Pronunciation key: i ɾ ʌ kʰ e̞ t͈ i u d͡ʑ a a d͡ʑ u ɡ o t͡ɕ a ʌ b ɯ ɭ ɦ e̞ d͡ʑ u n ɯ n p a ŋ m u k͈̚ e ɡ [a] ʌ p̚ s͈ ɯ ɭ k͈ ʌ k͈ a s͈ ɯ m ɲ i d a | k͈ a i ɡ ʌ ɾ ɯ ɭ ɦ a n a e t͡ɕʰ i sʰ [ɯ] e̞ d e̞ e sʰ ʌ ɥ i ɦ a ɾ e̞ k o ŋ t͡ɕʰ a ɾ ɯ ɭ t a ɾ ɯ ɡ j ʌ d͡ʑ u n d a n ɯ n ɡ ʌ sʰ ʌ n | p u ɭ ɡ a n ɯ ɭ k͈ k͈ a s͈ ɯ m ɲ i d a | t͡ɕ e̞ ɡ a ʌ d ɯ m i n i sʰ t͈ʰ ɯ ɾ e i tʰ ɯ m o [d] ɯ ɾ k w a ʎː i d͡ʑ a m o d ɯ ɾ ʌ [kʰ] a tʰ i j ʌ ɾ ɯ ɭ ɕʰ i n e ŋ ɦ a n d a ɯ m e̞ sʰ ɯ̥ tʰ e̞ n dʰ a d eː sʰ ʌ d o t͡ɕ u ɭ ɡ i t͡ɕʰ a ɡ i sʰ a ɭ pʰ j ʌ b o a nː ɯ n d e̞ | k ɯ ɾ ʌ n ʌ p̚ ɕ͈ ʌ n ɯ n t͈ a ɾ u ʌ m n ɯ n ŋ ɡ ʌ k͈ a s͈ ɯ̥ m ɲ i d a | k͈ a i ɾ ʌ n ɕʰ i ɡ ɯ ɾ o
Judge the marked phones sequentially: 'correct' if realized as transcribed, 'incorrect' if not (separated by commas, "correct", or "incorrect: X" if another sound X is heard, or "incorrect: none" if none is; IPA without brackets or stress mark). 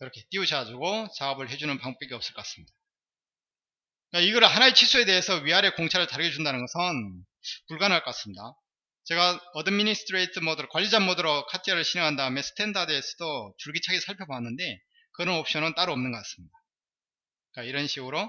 incorrect: i, incorrect: u, correct, correct